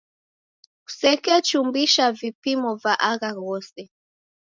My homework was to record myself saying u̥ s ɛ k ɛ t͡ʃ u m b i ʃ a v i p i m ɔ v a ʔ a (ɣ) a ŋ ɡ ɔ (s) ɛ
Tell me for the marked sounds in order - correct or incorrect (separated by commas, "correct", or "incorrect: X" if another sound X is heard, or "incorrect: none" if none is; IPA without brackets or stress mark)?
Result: correct, correct